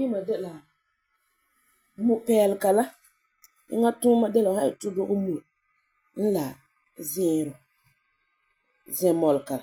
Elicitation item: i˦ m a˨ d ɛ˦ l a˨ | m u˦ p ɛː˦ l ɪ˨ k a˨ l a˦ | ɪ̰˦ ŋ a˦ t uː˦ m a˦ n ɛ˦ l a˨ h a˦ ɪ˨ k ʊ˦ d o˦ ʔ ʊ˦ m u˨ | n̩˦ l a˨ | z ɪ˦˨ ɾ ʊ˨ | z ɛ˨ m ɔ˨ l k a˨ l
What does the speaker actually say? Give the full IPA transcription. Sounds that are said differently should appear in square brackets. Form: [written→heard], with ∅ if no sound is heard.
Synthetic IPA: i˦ m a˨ d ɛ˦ l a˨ | m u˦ p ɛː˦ l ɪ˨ k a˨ l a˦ | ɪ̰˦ ŋ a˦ t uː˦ m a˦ [n→d] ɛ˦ l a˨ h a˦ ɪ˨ [k→t] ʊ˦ d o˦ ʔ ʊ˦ m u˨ | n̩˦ l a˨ | z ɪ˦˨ ɾ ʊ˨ | z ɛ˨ m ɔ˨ l k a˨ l